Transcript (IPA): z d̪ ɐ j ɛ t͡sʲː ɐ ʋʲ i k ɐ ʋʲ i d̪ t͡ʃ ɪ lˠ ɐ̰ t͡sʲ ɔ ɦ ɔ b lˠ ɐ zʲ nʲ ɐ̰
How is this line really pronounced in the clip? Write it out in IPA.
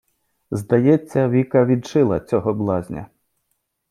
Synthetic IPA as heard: z d̪ ɐ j ɛ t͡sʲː ɐ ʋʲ i k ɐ ʋʲ i d̪ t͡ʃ ɪ lˠ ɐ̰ t͡sʲ ɔ ɦ ɔ b lˠ ɑ zʲ nʲ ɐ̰